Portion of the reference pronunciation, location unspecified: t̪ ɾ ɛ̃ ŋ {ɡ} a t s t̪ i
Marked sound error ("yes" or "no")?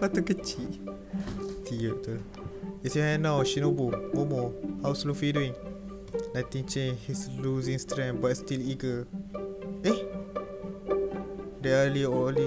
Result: yes